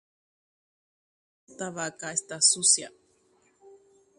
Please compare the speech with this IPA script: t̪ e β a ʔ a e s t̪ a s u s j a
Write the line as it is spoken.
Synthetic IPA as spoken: t̪ a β a k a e s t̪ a s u s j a